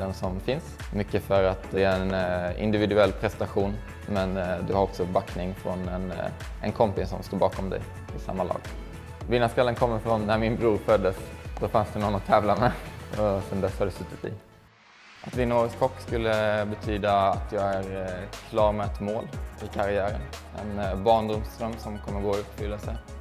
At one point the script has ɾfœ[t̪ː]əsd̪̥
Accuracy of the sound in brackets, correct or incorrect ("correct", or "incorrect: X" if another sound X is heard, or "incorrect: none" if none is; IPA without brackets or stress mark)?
incorrect: d̪ː